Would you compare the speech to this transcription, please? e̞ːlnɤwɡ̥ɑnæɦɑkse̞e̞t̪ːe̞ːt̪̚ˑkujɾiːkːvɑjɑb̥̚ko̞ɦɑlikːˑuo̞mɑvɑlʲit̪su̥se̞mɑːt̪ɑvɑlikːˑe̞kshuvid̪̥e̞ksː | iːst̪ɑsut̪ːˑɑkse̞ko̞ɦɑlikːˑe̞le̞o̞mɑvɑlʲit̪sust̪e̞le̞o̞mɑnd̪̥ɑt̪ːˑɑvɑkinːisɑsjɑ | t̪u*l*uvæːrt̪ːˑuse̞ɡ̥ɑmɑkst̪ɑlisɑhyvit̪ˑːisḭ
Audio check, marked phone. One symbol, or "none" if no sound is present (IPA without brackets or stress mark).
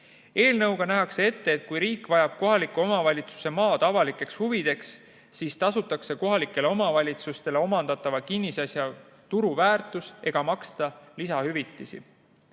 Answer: ɾ